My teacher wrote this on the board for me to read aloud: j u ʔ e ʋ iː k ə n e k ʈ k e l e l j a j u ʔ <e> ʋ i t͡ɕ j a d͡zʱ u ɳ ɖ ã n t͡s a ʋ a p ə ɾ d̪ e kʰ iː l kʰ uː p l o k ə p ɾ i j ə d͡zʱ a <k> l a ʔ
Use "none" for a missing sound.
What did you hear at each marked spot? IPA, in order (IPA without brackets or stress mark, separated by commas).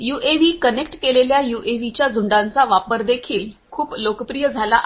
e, none